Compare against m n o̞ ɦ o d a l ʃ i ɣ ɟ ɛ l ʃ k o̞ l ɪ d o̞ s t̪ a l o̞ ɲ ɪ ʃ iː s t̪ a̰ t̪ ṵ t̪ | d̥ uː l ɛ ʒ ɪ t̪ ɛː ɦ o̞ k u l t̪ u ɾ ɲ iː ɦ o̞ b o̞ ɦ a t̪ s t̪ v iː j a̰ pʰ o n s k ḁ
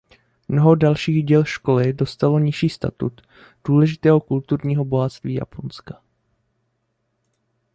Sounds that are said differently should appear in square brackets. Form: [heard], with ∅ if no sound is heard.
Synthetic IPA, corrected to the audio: m n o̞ ɦ o d a l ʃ [iː] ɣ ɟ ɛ l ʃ k o̞ l ɪ d o̞ s t̪ a l o̞ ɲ ɪ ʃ iː s t̪ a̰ t̪ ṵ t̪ | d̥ uː l ɛ ʒ ɪ t̪ ɛː ɦ o̞ k u l t̪ u ɾ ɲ iː ɦ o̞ b o̞ ɦ a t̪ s t̪ v iː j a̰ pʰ o n s k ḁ